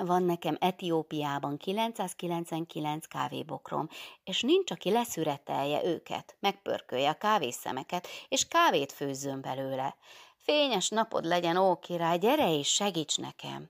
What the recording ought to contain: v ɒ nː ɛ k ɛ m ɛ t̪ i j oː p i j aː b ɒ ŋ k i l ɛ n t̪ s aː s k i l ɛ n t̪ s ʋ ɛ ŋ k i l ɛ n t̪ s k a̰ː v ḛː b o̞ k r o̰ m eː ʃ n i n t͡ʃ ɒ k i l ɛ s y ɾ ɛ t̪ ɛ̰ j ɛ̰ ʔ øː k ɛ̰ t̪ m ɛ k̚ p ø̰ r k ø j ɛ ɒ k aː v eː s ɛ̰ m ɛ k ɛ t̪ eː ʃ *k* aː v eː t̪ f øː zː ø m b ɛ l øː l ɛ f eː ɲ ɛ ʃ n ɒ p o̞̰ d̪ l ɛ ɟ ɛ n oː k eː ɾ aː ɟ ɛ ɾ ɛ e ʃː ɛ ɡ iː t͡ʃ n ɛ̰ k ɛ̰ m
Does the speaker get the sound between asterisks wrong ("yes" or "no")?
no